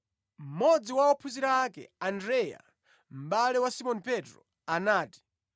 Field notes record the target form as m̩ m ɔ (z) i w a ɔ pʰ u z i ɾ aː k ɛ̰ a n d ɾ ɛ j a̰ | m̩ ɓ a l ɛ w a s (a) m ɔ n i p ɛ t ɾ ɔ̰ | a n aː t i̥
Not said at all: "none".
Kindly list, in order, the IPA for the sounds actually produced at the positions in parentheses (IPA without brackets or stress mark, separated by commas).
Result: d͡z, i